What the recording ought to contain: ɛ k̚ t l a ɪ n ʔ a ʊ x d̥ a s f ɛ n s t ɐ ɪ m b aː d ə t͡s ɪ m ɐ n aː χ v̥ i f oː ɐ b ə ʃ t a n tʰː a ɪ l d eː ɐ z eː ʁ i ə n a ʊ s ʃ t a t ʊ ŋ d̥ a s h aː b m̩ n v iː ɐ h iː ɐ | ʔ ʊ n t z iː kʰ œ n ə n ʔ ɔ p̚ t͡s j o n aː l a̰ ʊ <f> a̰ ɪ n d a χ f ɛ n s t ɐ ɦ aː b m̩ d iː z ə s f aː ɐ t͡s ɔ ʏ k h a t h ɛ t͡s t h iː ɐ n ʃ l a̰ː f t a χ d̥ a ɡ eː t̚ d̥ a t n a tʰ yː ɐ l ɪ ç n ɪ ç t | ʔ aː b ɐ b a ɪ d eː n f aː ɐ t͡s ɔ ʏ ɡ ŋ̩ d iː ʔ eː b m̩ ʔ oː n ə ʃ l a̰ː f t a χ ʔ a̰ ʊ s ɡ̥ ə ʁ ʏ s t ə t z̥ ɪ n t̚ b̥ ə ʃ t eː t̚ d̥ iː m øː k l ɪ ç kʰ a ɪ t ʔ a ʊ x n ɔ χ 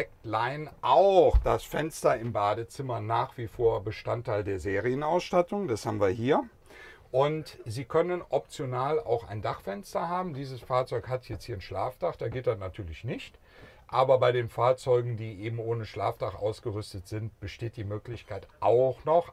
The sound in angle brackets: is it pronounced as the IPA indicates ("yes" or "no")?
no